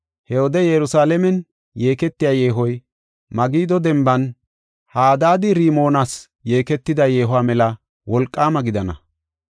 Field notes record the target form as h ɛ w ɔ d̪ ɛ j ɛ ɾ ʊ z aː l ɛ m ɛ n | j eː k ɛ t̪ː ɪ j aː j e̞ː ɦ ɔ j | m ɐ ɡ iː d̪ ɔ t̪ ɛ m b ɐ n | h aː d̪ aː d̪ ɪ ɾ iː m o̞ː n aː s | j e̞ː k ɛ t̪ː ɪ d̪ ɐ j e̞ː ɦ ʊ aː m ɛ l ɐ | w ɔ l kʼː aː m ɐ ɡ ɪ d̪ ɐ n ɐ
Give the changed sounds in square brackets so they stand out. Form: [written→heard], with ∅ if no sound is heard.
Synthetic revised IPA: h ɛ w ɔ d̪ ɛ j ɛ ɾ ʊ [z→s] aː l ɛ m ɛ n | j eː k ɛ t̪ː ɪ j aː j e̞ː ɦ ɔ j | m ɐ ɡ iː d̪ ɔ [t̪→d̪] ɛ m b ɐ n | h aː d̪ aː d̪ ɪ ɾ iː m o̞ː n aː s | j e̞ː k ɛ t̪ː ɪ d̪ ɐ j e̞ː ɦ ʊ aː m ɛ l ɐ | w ɔ l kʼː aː m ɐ ɡ ɪ d̪ ɐ n ɐ

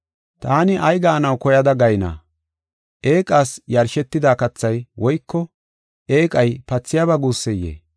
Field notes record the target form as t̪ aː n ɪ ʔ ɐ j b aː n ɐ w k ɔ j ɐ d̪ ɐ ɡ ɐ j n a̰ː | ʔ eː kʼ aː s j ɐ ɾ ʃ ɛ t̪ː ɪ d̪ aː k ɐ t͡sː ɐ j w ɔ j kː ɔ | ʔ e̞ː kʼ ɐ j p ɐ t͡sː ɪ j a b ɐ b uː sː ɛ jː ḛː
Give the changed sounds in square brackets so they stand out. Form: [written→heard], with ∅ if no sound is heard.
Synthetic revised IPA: t̪ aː n ɪ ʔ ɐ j [b→ɡ] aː n ɐ w k ɔ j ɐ d̪ ɐ ɡ ɐ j n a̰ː | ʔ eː kʼ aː s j ɐ ɾ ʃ ɛ t̪ː ɪ d̪ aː k ɐ t͡sː ɐ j w ɔ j kː ɔ | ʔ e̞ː kʼ ɐ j p ɐ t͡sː ɪ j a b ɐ [b→ɡ] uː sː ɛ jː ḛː

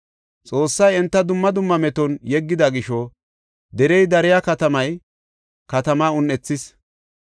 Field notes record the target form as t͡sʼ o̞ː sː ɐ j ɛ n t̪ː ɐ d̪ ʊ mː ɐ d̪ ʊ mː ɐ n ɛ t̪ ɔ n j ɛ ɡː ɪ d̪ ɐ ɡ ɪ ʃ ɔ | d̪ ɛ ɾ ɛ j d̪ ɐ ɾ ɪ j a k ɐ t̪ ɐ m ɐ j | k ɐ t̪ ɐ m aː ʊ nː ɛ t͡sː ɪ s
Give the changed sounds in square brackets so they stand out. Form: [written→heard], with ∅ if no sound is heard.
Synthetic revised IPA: t͡sʼ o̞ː sː ɐ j ɛ n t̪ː ɐ d̪ ʊ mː ɐ d̪ ʊ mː ɐ [n→m] ɛ t̪ ɔ n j ɛ ɡː ɪ d̪ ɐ ɡ ɪ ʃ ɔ | d̪ ɛ ɾ ɛ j d̪ ɐ ɾ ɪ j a k ɐ t̪ ɐ m ɐ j | k ɐ t̪ ɐ m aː ʊ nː ɛ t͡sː ɪ s

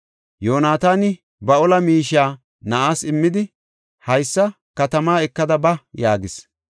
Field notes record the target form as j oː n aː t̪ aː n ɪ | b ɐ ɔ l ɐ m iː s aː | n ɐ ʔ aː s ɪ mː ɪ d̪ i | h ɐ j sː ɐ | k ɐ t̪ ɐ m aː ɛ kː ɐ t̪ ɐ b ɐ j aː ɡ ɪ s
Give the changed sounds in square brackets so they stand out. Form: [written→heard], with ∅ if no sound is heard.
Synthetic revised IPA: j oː n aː t̪ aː n ɪ | b ɐ ɔ l ɐ m iː [s→ʃ] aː | n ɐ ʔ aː s ɪ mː ɪ d̪ [i→ɪ] | h ɐ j sː ɐ | k ɐ t̪ ɐ m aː ɛ kː ɐ [t̪→d̪] ɐ b ɐ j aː ɡ ɪ s

